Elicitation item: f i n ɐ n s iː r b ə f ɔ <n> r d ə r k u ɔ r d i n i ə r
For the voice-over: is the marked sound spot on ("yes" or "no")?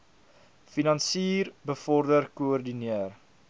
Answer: no